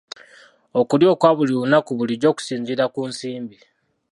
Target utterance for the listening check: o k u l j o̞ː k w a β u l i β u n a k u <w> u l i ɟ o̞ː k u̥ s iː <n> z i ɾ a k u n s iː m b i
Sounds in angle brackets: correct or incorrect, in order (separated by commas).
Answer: incorrect, incorrect